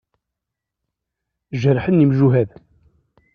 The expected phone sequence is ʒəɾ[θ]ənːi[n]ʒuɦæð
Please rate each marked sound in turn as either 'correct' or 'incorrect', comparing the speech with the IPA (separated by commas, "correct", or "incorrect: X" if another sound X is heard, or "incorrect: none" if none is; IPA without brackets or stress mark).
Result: incorrect: ħ, incorrect: m